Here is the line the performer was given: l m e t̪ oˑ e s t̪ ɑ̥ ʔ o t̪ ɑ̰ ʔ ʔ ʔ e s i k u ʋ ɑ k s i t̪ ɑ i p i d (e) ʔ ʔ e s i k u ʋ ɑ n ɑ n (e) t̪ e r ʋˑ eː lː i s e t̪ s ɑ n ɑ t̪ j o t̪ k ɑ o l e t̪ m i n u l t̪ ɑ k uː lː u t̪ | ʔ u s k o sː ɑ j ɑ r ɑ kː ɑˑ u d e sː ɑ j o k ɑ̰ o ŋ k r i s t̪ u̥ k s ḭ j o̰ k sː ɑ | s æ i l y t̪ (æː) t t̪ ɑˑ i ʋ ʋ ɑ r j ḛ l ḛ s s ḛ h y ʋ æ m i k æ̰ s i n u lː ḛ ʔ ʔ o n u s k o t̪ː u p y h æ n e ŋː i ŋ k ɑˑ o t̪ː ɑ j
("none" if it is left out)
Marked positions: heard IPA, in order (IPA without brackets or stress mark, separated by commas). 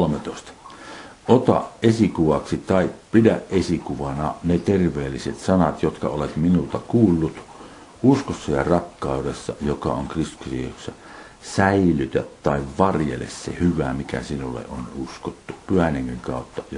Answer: æ, e, æ